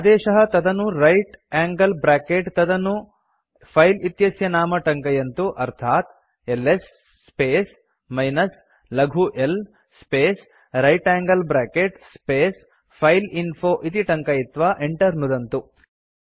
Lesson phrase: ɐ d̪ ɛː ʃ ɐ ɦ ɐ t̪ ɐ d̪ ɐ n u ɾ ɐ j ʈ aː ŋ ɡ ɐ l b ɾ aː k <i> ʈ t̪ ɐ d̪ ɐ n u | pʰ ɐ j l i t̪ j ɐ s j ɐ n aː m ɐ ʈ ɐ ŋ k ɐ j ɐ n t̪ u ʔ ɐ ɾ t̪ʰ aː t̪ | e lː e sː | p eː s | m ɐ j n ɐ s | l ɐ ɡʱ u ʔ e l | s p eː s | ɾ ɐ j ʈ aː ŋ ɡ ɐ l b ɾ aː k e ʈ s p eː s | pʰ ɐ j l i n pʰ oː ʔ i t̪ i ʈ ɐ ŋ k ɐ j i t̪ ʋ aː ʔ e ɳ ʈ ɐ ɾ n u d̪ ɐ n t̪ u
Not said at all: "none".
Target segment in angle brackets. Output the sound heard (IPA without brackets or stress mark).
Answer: e